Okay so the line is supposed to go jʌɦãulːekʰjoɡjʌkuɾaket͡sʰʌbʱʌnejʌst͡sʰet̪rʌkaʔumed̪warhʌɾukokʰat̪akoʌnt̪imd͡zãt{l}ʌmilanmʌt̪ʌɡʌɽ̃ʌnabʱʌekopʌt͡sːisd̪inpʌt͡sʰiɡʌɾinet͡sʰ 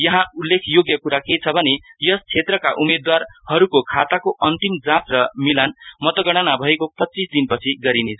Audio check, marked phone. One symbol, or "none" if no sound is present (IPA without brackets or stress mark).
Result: r